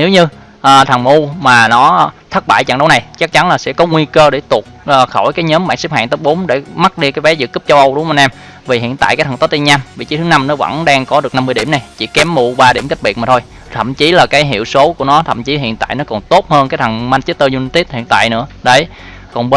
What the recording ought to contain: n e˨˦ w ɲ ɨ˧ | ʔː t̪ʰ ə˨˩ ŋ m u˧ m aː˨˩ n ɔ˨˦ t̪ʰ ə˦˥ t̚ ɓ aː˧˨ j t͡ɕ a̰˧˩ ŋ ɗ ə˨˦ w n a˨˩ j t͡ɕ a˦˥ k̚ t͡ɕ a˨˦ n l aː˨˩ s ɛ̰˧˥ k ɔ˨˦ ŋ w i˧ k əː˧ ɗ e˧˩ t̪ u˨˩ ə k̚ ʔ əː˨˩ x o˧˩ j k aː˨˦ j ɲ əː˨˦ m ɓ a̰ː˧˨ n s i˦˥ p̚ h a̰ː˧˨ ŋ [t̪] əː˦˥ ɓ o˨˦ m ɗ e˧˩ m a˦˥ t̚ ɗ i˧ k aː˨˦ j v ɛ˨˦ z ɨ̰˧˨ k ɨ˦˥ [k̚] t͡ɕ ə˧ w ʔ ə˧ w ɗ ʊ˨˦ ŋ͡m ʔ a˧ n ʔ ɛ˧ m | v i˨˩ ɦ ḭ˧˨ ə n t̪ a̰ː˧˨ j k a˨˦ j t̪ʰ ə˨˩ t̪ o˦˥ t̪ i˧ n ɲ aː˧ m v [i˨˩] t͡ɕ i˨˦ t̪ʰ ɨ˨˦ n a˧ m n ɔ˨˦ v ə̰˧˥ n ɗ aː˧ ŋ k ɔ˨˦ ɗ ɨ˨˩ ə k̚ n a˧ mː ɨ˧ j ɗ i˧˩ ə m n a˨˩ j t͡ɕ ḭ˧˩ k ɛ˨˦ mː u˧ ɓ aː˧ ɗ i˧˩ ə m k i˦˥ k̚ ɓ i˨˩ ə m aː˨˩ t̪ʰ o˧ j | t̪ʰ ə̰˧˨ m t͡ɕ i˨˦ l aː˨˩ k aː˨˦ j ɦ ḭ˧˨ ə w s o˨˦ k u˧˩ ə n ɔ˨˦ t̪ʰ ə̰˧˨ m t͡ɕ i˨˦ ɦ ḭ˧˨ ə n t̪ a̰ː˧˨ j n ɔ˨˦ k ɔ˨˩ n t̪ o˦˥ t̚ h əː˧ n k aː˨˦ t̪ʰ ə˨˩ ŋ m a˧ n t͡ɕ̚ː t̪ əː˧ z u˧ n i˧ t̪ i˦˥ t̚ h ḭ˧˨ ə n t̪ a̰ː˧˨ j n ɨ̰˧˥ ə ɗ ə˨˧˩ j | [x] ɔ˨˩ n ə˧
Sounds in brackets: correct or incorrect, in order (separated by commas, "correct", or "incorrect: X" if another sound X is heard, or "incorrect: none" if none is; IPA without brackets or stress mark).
correct, incorrect: p̚, correct, incorrect: k